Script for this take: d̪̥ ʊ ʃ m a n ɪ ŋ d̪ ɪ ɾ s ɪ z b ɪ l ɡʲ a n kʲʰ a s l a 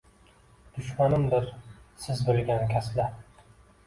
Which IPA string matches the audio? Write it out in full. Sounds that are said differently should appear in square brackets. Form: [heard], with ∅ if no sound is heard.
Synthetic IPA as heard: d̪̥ ʊ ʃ m a n ɪ [m] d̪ ɪ ɾ s ɪ z b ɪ l ɡʲ a n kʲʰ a s l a